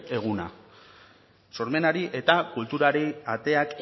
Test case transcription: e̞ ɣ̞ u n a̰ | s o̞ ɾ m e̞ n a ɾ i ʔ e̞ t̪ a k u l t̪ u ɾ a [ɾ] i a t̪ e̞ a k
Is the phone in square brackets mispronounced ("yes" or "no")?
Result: no